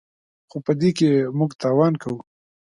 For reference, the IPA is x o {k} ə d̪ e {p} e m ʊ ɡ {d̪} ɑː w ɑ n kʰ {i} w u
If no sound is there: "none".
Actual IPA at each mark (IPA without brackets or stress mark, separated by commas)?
p, k, t̪, a